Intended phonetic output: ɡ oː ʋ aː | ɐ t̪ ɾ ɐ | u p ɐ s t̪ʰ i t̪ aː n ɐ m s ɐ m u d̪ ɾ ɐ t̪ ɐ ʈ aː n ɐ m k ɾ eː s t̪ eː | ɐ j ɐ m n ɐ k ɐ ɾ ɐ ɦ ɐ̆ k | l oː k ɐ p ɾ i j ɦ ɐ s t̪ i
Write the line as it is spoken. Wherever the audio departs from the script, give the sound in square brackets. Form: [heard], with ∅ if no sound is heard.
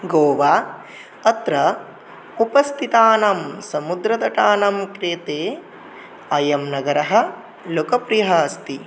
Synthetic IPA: ɡ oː ʋ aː | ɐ t̪ ɾ ɐ | u p ɐ s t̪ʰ i t̪ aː n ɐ m s ɐ m u d̪ ɾ ɐ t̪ ɐ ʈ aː n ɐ m k ɾ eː [∅] t̪ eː | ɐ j ɐ m n ɐ [ɡ] ɐ ɾ ɐ ɦ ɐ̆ [∅] | l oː k ɐ p ɾ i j ɦ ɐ s t̪ i